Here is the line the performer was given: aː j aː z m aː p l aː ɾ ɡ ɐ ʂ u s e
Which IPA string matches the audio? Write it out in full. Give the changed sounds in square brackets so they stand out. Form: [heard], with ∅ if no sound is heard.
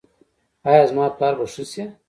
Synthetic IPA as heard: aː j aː z m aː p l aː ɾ [b] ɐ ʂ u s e